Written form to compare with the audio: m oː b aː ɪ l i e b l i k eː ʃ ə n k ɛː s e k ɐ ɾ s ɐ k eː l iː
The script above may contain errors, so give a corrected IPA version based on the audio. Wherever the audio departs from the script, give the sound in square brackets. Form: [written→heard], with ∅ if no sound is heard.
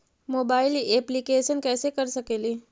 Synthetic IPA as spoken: m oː b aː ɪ l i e [b→p] l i k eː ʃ ə n k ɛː s e k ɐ ɾ s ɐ k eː l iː